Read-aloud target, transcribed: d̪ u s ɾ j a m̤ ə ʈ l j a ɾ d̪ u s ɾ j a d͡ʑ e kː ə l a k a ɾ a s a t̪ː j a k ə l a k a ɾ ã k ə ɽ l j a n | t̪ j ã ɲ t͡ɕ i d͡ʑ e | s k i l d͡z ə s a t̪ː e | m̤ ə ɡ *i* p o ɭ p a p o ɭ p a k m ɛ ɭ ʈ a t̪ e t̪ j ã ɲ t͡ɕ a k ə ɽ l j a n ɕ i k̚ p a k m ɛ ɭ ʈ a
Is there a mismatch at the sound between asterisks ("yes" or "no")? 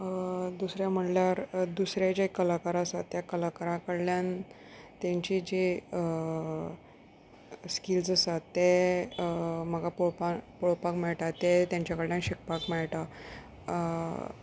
yes